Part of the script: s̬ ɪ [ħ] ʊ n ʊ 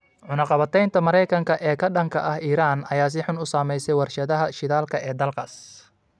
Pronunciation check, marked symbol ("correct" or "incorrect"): correct